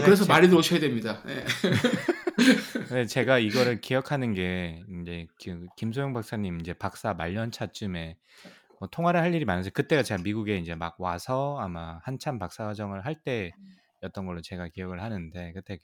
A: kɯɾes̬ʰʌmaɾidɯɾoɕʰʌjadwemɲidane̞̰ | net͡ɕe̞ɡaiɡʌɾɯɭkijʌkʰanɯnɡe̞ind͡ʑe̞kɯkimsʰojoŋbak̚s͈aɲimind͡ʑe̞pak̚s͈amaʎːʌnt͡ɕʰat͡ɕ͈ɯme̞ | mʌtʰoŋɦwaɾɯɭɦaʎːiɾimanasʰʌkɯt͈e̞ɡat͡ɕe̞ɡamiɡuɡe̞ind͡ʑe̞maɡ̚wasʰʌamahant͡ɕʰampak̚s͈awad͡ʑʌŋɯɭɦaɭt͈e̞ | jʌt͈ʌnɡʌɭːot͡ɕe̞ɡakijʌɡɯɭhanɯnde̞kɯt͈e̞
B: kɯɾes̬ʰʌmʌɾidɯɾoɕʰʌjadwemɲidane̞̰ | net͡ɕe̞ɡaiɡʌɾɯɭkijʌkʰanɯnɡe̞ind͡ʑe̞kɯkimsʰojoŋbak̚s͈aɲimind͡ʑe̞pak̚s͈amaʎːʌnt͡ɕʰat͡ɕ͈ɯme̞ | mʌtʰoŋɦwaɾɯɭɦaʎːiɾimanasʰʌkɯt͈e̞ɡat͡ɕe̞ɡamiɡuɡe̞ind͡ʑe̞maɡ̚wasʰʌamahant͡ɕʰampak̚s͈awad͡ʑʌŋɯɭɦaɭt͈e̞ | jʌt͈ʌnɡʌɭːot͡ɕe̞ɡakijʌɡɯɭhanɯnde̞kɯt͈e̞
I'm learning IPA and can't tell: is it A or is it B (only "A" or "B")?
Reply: A